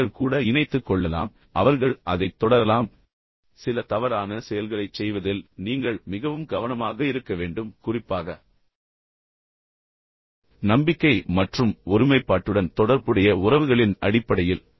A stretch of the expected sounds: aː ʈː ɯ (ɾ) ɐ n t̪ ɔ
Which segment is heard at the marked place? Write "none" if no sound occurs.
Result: ɽ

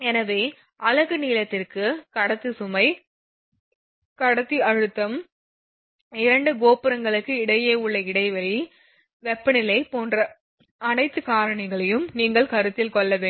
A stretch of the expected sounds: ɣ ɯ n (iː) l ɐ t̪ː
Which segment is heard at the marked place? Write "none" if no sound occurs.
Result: iː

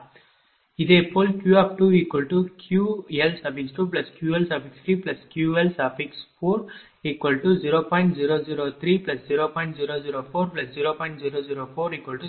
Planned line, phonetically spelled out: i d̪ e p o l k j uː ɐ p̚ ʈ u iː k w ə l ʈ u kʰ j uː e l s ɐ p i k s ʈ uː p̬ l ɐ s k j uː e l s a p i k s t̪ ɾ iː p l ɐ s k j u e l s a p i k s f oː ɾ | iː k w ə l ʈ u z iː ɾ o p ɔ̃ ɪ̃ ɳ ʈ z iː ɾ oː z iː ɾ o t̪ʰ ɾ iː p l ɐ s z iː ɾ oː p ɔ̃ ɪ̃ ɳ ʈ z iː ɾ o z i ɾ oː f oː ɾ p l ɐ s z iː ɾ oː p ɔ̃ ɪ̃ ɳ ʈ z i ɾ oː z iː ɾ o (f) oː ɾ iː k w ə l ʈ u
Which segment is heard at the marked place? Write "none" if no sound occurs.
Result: f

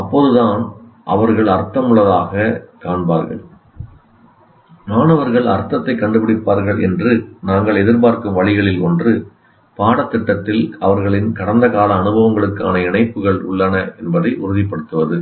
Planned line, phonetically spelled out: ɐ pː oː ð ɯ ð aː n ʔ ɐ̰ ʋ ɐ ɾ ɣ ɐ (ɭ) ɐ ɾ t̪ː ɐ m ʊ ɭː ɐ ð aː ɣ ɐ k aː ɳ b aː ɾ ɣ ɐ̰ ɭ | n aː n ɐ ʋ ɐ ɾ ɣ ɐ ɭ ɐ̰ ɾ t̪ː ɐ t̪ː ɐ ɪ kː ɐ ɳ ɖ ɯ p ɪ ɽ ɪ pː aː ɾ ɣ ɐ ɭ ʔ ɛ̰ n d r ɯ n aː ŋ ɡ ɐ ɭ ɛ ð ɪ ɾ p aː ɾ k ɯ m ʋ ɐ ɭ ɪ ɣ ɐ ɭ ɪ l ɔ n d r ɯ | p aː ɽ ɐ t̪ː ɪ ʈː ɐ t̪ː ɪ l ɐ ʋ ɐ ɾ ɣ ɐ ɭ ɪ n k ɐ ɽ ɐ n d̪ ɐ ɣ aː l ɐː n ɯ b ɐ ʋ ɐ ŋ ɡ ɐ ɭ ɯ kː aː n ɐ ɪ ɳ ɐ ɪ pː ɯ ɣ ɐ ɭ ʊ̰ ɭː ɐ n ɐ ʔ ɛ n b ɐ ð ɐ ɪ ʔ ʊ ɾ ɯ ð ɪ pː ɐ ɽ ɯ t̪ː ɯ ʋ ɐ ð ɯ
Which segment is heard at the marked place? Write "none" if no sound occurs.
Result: ɭ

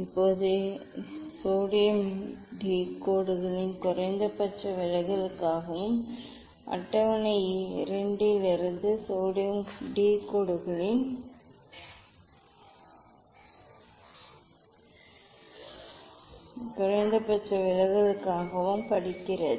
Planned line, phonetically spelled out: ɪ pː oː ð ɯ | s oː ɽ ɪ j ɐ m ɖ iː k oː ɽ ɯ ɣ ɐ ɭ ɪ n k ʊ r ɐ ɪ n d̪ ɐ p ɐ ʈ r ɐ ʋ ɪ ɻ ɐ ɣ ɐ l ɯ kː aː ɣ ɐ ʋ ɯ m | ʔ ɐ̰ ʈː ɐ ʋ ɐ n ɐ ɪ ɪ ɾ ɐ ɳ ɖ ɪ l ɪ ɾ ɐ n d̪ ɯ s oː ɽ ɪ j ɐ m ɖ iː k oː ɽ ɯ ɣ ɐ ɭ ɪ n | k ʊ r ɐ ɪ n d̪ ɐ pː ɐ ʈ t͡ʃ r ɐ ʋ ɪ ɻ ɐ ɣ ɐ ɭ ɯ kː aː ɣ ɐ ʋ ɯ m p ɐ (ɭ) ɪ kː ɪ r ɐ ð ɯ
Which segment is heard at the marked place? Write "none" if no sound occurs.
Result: ɽ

